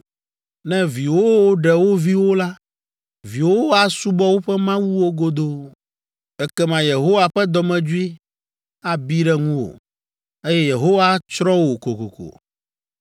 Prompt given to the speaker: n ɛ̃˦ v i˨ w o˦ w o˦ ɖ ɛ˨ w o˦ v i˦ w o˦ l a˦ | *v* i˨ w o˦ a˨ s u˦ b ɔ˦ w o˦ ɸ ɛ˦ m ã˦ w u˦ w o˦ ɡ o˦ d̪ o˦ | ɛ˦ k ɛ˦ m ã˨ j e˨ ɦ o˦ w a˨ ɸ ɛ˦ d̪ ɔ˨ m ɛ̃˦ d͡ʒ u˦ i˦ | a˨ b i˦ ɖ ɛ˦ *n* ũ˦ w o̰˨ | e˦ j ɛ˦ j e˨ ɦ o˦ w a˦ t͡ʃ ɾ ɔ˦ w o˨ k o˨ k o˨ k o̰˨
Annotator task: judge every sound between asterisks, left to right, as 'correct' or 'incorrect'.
correct, incorrect: ŋ

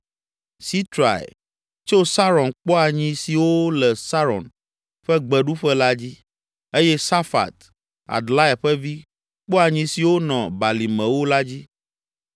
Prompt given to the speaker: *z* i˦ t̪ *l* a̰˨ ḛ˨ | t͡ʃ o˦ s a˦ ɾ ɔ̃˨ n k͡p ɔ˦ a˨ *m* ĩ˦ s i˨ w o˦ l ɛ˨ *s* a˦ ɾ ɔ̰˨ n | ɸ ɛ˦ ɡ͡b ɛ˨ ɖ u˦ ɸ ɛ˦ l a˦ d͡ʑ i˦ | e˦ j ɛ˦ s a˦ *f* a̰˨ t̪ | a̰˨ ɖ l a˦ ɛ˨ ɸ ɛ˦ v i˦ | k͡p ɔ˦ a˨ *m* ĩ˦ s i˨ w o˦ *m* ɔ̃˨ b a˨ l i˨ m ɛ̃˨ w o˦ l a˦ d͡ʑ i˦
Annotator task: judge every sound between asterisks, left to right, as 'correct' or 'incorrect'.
incorrect: s, incorrect: ɾ, incorrect: ɲ, correct, correct, incorrect: ɲ, incorrect: n

